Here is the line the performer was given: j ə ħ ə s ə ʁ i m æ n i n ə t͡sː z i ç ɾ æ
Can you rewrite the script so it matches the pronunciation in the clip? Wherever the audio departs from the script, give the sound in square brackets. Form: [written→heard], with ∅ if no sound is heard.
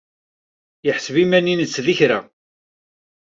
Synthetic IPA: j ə ħ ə s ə [ʁ→v] i m æ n i n ə t͡sː [z→ð] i ç ɾ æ